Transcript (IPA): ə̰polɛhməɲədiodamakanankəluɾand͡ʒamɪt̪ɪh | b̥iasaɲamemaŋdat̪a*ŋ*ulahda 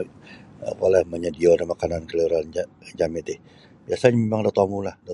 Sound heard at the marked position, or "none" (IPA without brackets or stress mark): m